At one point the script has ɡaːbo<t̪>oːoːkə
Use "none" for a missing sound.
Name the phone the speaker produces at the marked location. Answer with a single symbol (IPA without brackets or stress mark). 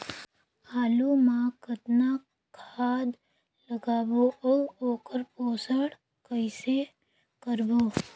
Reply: none